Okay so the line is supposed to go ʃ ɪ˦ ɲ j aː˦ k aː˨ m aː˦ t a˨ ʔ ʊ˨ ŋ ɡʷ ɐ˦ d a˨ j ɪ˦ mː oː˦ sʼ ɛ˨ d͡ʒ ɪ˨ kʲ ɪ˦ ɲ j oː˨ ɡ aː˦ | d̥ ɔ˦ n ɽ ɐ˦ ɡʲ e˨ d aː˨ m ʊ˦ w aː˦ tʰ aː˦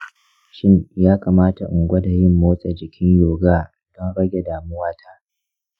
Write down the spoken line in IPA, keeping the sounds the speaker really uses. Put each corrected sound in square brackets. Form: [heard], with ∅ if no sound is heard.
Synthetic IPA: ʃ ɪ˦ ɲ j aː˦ k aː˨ m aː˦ t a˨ ʔ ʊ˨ ŋ ɡʷ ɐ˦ d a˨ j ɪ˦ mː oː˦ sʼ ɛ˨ d͡ʒ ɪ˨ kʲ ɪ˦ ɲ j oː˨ ɡ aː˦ | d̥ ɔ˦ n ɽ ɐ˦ ɡʲ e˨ d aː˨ m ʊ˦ w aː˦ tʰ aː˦

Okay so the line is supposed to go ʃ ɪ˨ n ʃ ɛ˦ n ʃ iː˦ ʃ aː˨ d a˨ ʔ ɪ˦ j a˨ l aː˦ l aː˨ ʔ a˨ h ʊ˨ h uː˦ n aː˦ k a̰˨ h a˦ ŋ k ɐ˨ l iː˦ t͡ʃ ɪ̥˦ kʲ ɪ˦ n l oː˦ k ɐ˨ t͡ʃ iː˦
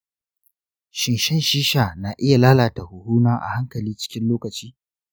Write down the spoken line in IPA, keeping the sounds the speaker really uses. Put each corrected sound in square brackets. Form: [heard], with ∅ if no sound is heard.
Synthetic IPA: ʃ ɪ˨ n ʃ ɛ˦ n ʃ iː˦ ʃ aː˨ [n] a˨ ʔ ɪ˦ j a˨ l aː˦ l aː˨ [t] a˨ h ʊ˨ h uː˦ n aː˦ [ʔ] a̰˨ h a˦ ŋ k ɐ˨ l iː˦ t͡ʃ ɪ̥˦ kʲ ɪ˦ n l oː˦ k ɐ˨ t͡ʃ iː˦

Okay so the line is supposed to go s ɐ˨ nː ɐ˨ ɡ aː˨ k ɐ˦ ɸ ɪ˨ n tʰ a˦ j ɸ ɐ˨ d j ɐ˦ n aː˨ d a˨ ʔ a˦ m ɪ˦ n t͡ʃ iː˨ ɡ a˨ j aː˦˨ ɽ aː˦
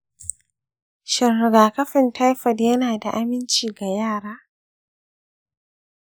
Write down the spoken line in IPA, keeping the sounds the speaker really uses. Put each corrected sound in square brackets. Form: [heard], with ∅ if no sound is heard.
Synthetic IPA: [ʃ] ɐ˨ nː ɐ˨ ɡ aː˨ k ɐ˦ ɸ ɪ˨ n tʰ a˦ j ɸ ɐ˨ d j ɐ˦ n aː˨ d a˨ ʔ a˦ m ɪ˦ n t͡ʃ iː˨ ɡ a˨ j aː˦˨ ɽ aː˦

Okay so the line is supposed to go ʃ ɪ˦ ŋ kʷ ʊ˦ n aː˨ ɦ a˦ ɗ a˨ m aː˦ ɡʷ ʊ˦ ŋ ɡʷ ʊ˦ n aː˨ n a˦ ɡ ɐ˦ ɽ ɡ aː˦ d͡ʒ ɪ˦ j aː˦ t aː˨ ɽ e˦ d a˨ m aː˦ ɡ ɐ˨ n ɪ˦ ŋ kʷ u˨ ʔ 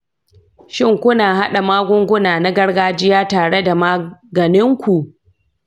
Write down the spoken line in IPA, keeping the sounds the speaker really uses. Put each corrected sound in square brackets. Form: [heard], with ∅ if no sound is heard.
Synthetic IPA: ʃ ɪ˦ ŋ kʷ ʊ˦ n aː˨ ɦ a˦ ɗ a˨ m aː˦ ɡʷ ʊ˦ ŋ ɡʷ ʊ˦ n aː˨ n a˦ ɡ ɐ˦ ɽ ɡ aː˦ d͡ʒ ɪ˦ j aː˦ t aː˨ ɽ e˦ d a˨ m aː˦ ɡ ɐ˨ n ɪ˦ ŋ kʷ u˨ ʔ

